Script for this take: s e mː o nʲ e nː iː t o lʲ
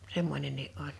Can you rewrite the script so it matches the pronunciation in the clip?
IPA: s e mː o nʲ e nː iː ʔ o lʲ